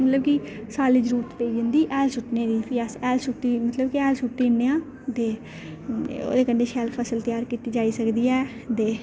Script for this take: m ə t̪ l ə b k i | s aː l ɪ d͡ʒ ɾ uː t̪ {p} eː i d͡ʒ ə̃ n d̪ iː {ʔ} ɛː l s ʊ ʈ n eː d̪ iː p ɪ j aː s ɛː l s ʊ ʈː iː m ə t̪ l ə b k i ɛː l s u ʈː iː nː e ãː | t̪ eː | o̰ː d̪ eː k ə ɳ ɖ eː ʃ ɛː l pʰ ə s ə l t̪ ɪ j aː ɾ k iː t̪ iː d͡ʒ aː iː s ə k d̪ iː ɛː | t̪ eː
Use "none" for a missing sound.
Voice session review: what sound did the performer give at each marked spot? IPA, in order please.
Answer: p, ʔ

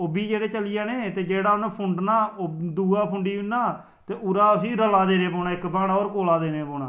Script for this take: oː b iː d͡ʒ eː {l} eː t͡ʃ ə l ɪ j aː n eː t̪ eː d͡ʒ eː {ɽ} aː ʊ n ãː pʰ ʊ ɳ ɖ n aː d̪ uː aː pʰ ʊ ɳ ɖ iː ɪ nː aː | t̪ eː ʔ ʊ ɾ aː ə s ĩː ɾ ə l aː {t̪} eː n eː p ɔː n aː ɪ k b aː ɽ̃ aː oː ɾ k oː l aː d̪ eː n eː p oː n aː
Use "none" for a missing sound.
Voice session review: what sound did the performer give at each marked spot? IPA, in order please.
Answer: ɽ, ɽ, d̪

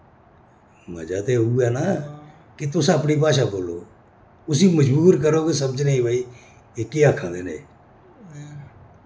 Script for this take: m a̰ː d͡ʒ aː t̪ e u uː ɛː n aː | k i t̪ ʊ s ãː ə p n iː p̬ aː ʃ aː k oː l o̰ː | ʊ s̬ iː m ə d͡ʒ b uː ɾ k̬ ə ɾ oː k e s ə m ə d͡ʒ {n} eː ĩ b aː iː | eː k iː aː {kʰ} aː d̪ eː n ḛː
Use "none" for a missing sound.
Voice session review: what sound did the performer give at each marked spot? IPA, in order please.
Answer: n, kʰ

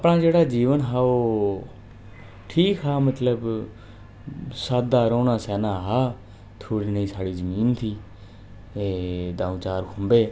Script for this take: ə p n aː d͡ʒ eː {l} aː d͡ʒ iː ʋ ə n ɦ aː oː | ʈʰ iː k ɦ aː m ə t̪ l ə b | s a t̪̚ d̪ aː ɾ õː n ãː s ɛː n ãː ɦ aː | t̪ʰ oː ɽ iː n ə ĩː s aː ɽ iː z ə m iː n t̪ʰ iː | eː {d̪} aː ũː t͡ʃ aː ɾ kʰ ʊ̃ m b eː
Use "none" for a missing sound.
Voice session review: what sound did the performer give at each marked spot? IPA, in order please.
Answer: ɽ, d̪

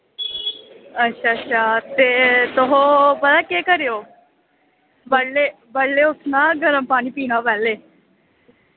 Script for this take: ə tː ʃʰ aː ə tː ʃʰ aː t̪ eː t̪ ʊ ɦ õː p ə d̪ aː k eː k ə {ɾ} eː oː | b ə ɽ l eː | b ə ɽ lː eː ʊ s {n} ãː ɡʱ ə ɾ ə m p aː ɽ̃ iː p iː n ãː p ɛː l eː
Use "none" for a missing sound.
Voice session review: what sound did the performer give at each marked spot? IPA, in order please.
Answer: ɾ, n

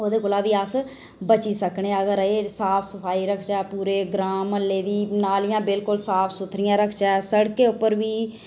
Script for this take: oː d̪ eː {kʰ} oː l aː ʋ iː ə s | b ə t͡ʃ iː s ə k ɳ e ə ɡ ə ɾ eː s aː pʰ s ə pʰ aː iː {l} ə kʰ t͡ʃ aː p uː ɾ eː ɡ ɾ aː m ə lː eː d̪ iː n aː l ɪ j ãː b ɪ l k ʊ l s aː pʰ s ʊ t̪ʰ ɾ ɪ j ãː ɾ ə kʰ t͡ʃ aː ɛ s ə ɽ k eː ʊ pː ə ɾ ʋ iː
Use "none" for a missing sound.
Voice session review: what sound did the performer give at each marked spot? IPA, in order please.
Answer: k, ɾ

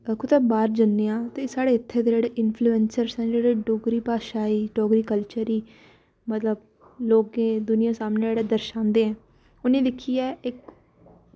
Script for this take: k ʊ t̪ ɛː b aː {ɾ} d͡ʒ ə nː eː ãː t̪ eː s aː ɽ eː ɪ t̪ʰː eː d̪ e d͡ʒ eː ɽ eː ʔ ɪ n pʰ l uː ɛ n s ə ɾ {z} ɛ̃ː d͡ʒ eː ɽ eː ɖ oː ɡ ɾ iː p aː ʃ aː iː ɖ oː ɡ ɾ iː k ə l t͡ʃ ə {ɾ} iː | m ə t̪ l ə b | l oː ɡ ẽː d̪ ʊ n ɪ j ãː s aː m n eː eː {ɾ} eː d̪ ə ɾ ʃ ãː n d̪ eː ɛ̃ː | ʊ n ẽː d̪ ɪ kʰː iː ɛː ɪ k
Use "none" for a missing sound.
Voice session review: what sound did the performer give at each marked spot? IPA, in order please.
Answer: ɾ, s, ɾ, ɽ

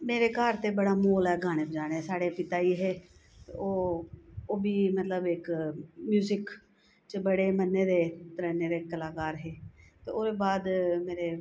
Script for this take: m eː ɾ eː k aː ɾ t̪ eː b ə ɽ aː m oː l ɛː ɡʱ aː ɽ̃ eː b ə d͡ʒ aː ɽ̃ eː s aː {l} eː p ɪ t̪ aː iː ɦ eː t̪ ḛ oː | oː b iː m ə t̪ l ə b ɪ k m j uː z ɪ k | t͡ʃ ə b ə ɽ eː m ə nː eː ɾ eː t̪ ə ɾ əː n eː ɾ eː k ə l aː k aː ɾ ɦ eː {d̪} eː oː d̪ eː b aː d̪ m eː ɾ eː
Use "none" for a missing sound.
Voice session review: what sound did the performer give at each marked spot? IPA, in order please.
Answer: ɽ, t̪

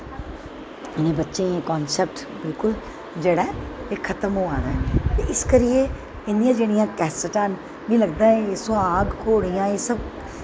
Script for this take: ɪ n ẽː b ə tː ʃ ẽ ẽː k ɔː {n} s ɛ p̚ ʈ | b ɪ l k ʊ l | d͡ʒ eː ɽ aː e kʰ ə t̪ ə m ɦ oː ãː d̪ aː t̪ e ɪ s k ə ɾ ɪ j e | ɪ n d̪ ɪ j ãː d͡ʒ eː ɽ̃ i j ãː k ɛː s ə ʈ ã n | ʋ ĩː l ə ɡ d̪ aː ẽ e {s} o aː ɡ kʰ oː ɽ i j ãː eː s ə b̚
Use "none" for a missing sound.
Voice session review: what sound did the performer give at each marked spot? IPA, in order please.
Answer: n, s

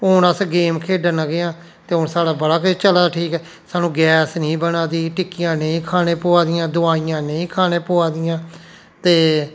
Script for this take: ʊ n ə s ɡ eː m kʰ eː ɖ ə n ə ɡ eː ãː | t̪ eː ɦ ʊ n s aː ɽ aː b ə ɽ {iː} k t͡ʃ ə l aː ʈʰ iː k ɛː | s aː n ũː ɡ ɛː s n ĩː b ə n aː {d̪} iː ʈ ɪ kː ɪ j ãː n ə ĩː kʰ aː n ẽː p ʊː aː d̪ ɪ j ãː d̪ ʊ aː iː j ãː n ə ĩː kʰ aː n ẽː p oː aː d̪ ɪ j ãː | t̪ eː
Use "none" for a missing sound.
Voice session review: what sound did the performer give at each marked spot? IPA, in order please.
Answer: aː, d̪

